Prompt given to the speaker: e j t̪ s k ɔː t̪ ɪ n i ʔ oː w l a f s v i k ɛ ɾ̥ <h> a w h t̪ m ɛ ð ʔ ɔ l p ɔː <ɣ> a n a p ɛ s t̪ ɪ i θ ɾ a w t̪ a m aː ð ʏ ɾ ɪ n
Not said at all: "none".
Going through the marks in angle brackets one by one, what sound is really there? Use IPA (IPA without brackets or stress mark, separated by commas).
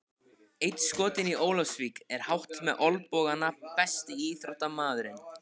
h, ɣ